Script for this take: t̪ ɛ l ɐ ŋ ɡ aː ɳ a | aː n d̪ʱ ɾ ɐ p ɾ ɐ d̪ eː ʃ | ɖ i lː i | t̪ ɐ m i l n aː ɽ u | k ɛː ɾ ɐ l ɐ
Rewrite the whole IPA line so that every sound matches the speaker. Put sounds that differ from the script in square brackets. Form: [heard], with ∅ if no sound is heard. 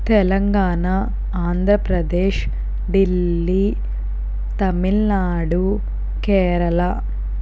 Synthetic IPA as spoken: t̪ ɛ l ɐ ŋ ɡ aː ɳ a | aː n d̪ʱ ɾ ɐ p ɾ ɐ d̪ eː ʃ | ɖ i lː i | t̪ ɐ m i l n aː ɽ u | k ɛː ɾ ɐ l ɐ

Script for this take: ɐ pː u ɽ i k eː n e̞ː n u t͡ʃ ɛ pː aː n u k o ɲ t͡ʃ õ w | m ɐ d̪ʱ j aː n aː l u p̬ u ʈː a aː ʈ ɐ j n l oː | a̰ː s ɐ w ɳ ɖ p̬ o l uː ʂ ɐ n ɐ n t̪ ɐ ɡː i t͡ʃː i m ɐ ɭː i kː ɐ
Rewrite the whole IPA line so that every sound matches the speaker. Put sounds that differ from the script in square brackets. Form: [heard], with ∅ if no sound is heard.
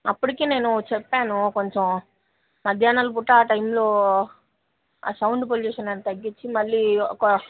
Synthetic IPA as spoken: ɐ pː u ɽ i k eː n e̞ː n u t͡ʃ ɛ pː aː n u k o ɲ t͡ʃ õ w | m ɐ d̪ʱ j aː n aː l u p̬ u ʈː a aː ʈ ɐ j [m] l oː | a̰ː s ɐ w ɳ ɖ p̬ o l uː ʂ ɐ n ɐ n t̪ ɐ ɡː i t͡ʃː i m ɐ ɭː i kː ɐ

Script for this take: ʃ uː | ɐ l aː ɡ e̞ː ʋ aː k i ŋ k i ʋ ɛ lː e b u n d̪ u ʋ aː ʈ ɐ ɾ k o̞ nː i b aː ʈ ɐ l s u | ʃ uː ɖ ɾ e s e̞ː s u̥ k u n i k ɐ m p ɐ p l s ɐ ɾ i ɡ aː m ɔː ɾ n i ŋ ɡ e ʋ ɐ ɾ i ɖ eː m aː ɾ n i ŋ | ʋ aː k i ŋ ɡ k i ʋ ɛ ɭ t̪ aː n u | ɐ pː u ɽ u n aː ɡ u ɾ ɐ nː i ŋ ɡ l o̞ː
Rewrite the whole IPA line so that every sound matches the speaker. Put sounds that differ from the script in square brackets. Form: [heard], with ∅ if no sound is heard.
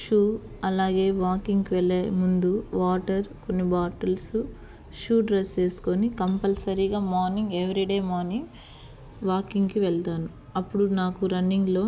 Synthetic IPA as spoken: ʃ uː | ɐ l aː ɡ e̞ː ʋ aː k i ŋ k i ʋ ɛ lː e [m] u n d̪ u ʋ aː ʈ ɐ ɾ k o̞ nː i b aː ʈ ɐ l s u | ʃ uː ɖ ɾ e s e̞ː s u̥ k [o] n i k ɐ m p ɐ [∅] l s ɐ ɾ i ɡ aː m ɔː ɾ n i ŋ ɡ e ʋ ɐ ɾ i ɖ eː m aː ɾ n i ŋ | ʋ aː k i ŋ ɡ k i ʋ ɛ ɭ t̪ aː n u | ɐ pː u ɽ u n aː [k] u ɾ ɐ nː i ŋ ɡ l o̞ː

